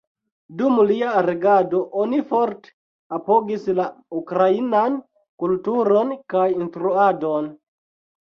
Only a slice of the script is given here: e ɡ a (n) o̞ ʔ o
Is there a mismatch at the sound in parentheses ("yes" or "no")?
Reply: yes